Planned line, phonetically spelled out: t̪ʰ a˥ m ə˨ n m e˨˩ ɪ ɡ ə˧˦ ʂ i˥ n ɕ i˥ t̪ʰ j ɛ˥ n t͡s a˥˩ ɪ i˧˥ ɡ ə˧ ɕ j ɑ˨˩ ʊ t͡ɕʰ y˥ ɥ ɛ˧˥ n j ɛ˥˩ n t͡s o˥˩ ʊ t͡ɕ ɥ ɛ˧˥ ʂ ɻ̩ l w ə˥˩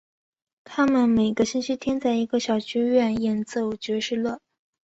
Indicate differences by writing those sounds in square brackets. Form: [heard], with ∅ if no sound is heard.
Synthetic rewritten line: t̪ʰ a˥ m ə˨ n m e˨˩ ɪ ɡ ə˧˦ [ɕ] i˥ n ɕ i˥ t̪ʰ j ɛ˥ n t͡s a˥˩ ɪ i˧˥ ɡ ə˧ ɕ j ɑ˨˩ ʊ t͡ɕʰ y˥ ɥ [ɛ˥˩] n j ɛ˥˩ n t͡s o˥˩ ʊ t͡ɕ ɥ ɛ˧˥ ʂ ɻ̩ l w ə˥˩